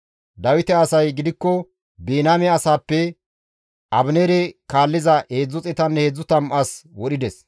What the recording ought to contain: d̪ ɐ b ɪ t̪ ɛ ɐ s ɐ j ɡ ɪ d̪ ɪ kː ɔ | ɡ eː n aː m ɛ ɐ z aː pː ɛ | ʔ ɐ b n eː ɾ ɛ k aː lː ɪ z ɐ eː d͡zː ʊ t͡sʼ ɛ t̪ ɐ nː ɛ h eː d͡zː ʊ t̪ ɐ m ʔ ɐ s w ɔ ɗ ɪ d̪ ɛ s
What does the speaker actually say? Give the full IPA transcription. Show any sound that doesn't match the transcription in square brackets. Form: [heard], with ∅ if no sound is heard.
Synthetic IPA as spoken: d̪ ɐ [w] ɪ t̪ ɛ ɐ s ɐ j ɡ ɪ d̪ ɪ kː ɔ | [b] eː n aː m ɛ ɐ [s] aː pː ɛ | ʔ ɐ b n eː ɾ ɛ k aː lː ɪ z ɐ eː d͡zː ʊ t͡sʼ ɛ t̪ ɐ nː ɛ h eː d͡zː ʊ t̪ ɐ m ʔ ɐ s w ɔ ɗ ɪ d̪ ɛ s